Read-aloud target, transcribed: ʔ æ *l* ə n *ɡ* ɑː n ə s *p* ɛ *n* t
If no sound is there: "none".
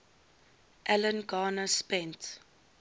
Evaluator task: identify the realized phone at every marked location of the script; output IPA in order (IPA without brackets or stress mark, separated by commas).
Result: l, ɡ, p, n